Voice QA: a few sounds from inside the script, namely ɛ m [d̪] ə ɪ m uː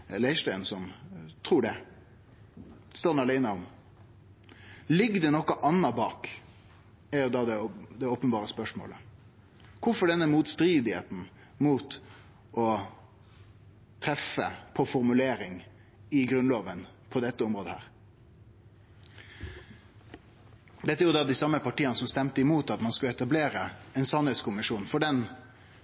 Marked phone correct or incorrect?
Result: incorrect